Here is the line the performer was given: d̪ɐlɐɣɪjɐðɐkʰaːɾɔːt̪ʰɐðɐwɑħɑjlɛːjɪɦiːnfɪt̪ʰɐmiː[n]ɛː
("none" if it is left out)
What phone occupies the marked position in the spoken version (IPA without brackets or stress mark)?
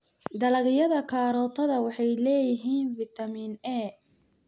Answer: n